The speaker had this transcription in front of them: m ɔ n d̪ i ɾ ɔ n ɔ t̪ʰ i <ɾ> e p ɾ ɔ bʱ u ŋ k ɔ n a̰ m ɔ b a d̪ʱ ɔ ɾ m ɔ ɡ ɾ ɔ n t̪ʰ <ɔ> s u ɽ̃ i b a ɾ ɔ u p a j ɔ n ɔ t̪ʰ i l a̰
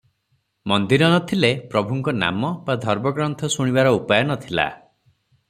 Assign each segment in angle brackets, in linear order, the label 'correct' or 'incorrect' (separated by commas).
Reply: incorrect, correct